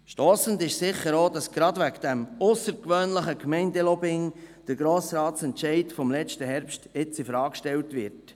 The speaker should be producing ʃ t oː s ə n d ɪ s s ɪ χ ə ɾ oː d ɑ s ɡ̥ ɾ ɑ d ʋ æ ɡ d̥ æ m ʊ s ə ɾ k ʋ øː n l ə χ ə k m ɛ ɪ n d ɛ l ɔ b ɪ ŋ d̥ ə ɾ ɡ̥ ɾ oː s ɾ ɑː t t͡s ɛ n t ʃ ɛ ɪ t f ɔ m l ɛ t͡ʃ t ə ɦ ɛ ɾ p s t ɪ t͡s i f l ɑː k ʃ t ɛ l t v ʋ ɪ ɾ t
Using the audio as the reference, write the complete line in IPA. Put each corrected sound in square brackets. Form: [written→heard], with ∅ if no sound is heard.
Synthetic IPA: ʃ t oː s ə n d ɪ [s→ʃ] s ɪ χ ə ɾ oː d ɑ s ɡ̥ ɾ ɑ d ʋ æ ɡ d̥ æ m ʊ s ə ɾ k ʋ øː n l ə χ ə k m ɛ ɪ n d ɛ l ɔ b ɪ ŋ d̥ ə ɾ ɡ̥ ɾ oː s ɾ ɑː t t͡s ɛ n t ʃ ɛ ɪ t f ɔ m l ɛ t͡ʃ t ə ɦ ɛ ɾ p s t ɪ t͡s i f [l→ɾ] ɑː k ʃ t ɛ l t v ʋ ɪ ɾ t